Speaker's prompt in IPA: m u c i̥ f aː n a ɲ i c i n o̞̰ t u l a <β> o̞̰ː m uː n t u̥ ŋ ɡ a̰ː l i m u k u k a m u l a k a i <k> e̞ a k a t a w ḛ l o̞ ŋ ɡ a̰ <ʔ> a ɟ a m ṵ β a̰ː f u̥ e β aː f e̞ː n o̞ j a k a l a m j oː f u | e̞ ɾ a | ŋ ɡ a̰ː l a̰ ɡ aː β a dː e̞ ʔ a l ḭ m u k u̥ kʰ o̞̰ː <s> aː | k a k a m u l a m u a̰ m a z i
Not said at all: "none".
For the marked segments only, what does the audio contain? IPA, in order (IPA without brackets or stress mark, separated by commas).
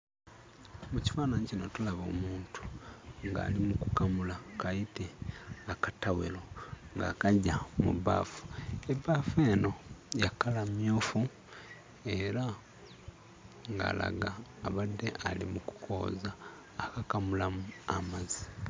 β, t, k, z